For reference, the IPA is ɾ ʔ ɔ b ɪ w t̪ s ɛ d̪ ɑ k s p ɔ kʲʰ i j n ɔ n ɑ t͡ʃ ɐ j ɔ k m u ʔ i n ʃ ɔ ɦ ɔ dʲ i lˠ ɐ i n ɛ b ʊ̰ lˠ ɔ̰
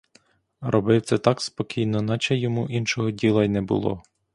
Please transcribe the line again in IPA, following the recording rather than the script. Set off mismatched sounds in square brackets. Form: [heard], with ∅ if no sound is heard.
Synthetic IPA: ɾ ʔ ɔ b ɪ w t̪ s ɛ [t̪] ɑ k s p ɔ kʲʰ i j n ɔ n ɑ t͡ʃ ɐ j ɔ [∅] m u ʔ i n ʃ ɔ ɦ ɔ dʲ i lˠ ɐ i n ɛ b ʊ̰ lˠ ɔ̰

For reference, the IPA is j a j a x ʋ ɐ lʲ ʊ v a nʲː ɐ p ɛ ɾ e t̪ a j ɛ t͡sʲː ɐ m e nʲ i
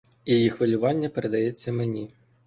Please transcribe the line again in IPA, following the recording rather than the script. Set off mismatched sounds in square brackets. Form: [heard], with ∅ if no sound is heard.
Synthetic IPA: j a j [i] x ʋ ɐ lʲ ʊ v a nʲː ɐ p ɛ ɾ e [d̪] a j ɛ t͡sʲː ɐ m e nʲ i

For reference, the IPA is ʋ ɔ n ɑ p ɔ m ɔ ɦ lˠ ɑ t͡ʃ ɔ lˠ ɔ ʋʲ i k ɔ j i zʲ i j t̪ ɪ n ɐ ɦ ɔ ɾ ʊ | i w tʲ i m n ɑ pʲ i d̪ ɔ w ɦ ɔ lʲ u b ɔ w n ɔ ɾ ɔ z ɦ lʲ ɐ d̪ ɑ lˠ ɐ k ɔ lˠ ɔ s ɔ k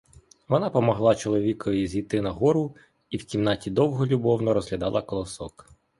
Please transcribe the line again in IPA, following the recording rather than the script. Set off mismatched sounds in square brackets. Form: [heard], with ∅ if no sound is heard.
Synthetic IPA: ʋ ɔ n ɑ p ɔ m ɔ ɦ lˠ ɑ t͡ʃ ɔ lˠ ɔ ʋʲ i k ɔ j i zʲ i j t̪ ɪ n ɐ ɦ ɔ ɾ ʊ | i w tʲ i m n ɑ [tʲ] i d̪ ɔ w ɦ ɔ lʲ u b ɔ w n ɔ ɾ ɔ z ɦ lʲ ɐ d̪ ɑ lˠ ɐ k ɔ lˠ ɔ s ɔ k

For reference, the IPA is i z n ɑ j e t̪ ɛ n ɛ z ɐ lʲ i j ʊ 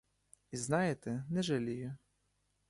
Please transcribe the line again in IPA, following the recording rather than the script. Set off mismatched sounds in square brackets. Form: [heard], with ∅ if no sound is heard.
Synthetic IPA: i z n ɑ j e t̪ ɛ n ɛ [ʒ] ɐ lʲ i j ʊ

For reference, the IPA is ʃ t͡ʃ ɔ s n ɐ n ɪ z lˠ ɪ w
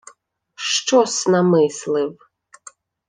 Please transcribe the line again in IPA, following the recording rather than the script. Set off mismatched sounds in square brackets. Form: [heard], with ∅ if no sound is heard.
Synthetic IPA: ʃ t͡ʃ ɔ s n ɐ [m] ɪ [s] lˠ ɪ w

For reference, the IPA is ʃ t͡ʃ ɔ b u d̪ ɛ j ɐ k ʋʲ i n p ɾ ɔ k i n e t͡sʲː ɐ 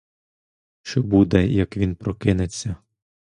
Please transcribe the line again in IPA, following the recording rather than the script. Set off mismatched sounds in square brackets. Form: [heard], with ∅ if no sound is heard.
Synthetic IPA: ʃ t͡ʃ ɔ b u d̪ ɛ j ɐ k ʋʲ i n p ɾ ɔ k [ɪ] n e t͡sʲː ɐ

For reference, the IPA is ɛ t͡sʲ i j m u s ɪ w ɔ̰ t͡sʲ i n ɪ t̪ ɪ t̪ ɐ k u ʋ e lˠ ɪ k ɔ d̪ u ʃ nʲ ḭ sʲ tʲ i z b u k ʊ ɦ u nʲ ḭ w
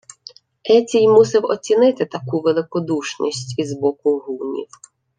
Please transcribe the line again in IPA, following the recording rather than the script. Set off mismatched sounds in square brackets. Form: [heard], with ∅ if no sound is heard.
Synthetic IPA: ɛ t͡sʲ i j m u s ɪ w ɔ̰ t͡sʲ i n ɪ t̪ ɪ t̪ ɐ k u ʋ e lˠ ɪ k ɔ d̪ u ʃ nʲ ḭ sʲ tʲ i z b [ɔ] k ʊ ɦ u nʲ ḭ w

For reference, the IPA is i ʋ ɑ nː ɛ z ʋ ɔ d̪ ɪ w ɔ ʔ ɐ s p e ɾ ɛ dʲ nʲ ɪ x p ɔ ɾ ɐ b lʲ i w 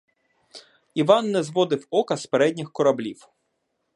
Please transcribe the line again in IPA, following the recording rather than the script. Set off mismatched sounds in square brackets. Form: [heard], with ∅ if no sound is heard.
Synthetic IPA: i ʋ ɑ nː ɛ z ʋ ɔ d̪ ɪ w ɔ [k] ɐ s p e ɾ ɛ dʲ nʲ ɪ x [k] ɔ ɾ ɐ b lʲ i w

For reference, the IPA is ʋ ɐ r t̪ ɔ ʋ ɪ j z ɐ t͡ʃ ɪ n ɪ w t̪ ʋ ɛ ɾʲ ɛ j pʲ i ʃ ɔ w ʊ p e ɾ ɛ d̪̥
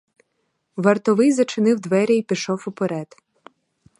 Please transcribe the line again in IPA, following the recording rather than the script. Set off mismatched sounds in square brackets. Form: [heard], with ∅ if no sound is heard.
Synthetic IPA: ʋ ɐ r t̪ ɔ ʋ ɪ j z ɐ t͡ʃ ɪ n ɪ w [d̪] ʋ ɛ ɾʲ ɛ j pʲ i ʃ ɔ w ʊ p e ɾ ɛ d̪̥

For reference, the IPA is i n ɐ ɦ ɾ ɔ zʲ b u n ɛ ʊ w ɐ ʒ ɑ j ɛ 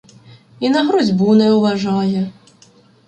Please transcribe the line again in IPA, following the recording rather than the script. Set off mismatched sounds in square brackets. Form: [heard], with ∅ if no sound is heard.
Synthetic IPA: i n ɐ ɦ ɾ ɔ zʲ b u n ɛ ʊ [ʋ] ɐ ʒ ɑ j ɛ

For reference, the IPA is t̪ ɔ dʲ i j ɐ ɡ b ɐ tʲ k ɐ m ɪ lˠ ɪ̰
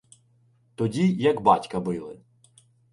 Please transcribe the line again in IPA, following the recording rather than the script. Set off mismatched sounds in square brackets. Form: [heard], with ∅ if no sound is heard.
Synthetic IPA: t̪ ɔ dʲ i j ɐ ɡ b [ɑ] tʲ k ɐ [b] ɪ lˠ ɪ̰

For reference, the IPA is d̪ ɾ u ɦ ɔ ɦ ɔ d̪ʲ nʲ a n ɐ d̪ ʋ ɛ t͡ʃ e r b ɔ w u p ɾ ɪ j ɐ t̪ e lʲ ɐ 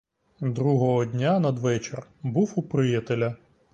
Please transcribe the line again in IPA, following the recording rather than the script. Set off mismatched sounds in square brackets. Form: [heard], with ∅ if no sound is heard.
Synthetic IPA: d̪ ɾ u ɦ ɔ ɦ ɔ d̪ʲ nʲ a n ɐ d̪ ʋ ɛ t͡ʃ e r b [u] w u p ɾ ɪ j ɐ t̪ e lʲ ɐ

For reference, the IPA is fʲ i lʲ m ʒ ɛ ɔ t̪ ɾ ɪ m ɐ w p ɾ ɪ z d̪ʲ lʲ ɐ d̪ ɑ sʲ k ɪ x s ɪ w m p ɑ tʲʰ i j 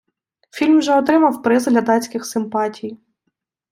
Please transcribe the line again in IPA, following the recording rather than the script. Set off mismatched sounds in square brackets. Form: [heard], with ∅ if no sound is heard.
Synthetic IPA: fʲ i lʲ m ʒ ɛ ɔ t̪ ɾ ɪ m ɐ w p ɾ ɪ z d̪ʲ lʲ ɐ d̪ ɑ [t͡sʲ] k ɪ x s ɪ [∅] m p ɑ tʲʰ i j

